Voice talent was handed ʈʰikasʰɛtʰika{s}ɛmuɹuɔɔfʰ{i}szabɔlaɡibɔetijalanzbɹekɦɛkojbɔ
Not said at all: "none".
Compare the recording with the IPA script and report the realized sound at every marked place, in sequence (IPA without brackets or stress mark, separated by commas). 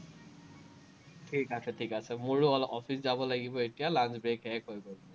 s, i